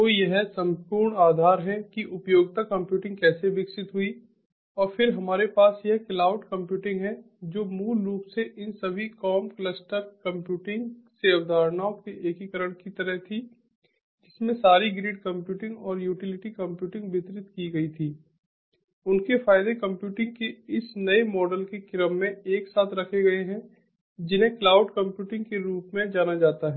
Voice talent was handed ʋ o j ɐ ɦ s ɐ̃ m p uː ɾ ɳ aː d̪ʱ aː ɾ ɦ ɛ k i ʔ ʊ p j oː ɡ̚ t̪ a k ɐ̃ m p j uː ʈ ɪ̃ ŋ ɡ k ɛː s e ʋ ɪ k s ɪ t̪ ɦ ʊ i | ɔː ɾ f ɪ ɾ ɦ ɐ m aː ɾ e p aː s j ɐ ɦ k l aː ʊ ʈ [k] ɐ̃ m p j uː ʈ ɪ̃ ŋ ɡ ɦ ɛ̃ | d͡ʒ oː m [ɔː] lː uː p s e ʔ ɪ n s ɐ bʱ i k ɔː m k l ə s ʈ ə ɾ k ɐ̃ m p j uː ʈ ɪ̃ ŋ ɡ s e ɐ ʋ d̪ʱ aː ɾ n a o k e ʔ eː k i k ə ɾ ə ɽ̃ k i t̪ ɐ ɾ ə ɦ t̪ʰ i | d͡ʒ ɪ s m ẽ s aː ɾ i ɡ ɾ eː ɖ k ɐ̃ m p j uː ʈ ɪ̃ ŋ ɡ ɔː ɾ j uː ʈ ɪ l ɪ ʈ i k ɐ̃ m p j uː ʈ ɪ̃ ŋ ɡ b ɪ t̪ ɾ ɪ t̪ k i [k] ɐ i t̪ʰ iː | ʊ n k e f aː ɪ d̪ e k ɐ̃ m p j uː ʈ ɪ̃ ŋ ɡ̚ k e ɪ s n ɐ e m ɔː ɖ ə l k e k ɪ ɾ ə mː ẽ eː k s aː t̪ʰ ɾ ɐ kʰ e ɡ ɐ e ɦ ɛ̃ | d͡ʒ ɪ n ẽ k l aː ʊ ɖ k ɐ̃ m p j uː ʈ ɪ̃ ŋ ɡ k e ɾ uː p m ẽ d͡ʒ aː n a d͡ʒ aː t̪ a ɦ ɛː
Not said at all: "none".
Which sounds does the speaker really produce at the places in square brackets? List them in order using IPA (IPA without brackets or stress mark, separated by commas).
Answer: k, uː, ɡ